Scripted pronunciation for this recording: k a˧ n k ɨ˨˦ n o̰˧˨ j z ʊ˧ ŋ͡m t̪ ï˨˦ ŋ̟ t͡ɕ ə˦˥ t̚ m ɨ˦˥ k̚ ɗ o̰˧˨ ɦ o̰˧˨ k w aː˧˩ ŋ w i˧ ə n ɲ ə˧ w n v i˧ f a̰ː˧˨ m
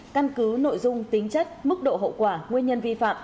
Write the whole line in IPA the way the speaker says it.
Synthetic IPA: k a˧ n k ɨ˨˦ n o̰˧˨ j z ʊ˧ ŋ͡m t̪ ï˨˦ ŋ̟ t͡ɕ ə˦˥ t̚ m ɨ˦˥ k̚ ɗ o̰˧˨ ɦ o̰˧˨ k w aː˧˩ ŋ w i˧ ə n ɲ ə˧ n v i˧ f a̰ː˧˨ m